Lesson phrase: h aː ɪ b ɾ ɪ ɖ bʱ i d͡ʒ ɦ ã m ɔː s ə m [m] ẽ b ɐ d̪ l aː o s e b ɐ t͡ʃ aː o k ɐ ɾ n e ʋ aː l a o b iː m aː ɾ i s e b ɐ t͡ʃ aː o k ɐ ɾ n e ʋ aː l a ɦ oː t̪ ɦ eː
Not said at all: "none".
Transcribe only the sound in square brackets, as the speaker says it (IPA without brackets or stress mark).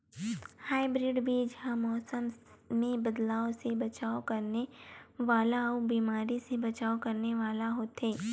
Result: m